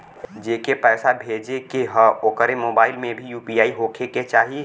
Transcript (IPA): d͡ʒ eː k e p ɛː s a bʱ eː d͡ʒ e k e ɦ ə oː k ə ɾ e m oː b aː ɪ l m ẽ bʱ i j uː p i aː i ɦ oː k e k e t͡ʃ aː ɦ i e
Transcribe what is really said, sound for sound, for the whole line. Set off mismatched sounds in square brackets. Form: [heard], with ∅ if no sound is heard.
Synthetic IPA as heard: d͡ʒ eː k e p ɛː s a bʱ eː d͡ʒ e k e ɦ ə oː k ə ɾ e m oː b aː ɪ l m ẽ bʱ i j uː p i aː i ɦ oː [kʰ] e k e t͡ʃ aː ɦ i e